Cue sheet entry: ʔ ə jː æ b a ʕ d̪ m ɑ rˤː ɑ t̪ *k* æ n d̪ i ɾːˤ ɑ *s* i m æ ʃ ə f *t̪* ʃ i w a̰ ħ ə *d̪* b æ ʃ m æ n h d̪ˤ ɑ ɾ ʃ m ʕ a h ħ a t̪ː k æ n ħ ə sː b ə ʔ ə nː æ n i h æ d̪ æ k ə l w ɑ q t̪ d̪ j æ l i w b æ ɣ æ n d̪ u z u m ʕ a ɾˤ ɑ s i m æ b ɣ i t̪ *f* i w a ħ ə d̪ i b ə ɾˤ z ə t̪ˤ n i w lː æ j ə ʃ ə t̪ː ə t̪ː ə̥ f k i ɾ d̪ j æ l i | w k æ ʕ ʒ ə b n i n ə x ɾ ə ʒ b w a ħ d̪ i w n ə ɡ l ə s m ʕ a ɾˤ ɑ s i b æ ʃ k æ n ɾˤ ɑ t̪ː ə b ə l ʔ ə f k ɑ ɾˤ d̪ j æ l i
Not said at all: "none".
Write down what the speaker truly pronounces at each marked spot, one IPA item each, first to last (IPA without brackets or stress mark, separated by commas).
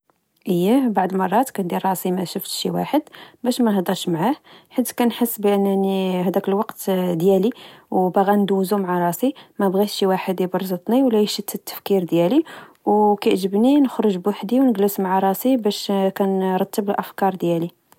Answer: k, s, t̪, d̪, ʃ